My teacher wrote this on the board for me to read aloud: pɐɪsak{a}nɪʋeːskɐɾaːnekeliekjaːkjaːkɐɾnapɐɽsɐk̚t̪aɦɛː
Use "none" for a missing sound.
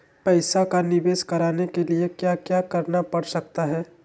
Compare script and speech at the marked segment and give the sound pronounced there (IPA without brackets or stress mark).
a